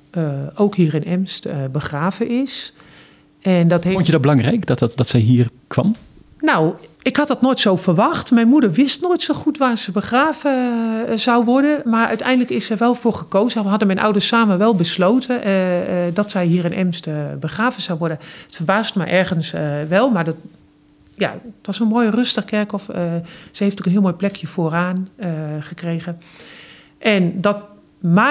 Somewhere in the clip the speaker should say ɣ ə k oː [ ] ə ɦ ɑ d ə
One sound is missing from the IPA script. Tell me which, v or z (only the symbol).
z